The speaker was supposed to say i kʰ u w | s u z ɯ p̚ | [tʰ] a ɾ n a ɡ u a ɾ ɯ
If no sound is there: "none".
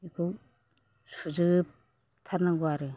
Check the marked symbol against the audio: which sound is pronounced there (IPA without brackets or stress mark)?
tʰ